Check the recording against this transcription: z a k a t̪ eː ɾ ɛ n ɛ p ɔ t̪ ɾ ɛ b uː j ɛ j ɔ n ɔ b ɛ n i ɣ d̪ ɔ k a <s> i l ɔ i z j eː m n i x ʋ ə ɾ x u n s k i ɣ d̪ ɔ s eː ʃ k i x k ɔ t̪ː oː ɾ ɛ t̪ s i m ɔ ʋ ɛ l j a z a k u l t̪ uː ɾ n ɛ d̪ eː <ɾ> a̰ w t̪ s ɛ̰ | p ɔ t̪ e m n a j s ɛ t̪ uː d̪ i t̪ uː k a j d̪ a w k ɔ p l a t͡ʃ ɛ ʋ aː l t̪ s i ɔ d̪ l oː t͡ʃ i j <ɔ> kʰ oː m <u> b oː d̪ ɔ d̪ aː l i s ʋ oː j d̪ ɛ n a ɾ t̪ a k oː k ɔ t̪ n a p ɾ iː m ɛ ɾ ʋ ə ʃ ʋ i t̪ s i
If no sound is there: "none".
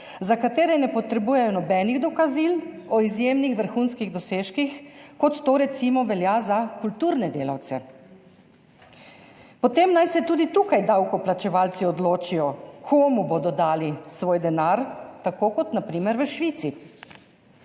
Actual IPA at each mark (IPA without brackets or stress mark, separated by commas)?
z, l, ɔ, u